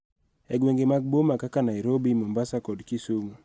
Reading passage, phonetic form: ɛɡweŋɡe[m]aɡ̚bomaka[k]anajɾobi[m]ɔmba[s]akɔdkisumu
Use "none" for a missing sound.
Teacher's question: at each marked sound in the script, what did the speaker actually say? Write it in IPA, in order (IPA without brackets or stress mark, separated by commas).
m, k, m, s